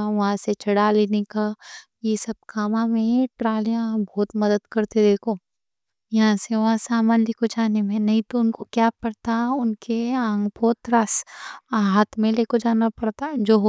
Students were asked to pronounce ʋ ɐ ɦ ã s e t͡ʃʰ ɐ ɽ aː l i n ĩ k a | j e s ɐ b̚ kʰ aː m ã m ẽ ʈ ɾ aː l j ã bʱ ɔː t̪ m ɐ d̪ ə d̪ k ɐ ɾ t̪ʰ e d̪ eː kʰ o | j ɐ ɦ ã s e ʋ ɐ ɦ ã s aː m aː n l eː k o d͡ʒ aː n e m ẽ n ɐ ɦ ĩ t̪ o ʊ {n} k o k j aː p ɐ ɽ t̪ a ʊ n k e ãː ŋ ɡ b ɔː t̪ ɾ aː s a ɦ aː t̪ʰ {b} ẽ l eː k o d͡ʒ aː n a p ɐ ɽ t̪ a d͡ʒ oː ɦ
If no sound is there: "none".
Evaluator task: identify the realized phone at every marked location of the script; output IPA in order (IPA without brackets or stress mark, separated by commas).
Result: n, m